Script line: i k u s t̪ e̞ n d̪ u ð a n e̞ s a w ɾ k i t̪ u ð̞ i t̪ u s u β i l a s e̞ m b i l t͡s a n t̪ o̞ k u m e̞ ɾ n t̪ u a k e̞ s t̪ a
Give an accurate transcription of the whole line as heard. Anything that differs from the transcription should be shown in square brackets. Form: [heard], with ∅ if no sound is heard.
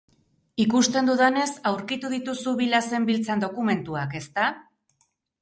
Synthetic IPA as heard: i k u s t̪ e̞ n d̪ u ð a n e̞ s a w ɾ k i t̪ u ð̞ i t̪ u s u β i l a s e̞ m b i l t͡s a n [d̪] o̞ k u m e̞ [∅] n t̪ u a k e̞ s t̪ a